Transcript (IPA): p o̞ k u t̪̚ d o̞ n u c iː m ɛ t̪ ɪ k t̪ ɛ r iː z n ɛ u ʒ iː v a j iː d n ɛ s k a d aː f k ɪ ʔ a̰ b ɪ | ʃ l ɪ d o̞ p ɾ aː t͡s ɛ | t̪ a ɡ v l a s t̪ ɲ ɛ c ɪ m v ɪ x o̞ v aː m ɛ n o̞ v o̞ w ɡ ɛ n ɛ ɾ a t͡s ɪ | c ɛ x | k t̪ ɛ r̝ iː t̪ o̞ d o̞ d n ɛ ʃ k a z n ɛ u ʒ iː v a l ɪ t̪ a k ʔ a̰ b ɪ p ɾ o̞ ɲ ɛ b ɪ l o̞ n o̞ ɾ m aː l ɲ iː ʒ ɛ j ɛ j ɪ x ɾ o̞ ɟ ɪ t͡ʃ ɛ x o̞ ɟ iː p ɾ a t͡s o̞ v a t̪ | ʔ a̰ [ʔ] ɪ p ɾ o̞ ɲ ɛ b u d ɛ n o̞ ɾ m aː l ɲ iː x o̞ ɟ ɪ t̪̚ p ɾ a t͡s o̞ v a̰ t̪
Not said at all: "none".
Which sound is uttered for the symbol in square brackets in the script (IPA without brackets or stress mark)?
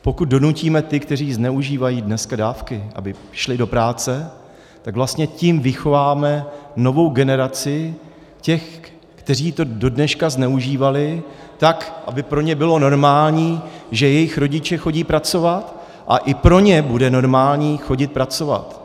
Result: ʔ